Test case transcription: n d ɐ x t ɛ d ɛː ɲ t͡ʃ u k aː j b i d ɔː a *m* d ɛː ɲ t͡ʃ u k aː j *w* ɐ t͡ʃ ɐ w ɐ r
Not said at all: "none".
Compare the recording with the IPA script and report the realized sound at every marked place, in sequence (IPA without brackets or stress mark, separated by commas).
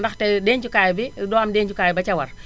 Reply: m, b